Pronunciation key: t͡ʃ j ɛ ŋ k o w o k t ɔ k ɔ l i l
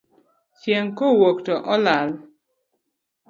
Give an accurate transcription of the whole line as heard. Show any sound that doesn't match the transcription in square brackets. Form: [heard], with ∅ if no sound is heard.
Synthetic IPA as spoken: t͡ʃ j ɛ ŋ k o w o k t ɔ [ʔ] ɔ l [a] l